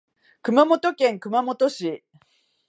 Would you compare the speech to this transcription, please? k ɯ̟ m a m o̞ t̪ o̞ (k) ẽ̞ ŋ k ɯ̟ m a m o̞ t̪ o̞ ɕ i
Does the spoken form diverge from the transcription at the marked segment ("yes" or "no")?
no